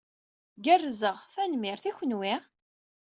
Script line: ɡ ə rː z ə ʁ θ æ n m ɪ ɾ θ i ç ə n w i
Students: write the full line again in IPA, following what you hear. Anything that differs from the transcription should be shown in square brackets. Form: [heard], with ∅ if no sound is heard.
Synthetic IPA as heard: ɡ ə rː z ə ʁ θ æ n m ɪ ɾ θ i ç ə n w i